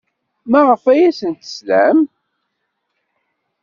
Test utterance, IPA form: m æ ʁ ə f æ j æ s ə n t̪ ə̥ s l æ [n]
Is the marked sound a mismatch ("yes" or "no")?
yes